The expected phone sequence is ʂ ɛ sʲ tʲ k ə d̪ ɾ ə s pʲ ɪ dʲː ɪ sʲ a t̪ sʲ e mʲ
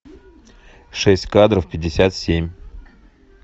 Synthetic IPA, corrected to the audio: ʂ ɛ sʲ tʲ k a d̪ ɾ ə f pʲ ɪ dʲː ɪ sʲ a t̪ sʲ e mʲ